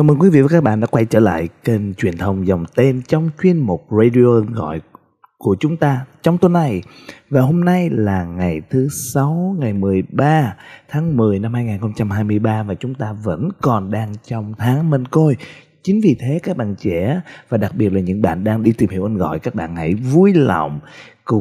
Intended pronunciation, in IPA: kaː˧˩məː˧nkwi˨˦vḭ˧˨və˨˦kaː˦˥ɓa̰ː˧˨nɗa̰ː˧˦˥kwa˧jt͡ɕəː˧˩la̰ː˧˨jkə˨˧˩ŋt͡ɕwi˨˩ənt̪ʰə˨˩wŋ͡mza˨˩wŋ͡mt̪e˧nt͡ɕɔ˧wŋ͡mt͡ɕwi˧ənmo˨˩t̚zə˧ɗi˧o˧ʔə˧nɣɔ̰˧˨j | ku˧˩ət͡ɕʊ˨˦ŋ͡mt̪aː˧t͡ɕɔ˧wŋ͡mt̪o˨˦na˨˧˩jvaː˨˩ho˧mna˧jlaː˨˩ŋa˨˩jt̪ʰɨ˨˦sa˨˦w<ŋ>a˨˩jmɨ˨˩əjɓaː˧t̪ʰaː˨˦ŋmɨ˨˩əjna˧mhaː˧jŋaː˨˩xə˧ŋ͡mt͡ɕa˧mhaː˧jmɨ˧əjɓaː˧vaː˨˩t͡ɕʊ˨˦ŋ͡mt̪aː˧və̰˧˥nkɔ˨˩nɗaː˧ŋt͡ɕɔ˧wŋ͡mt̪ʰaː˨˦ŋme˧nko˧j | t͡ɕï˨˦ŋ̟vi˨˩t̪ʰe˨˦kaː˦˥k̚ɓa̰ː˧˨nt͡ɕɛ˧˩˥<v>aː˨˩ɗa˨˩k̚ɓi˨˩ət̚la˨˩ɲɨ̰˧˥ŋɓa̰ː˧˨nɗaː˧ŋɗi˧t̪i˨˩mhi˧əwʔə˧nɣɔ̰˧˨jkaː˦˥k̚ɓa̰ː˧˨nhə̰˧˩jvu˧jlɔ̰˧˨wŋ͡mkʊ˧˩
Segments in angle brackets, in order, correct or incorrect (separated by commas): correct, correct